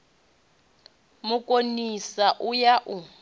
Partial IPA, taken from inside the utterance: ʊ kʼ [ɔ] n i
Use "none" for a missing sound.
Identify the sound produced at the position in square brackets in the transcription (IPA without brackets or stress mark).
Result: o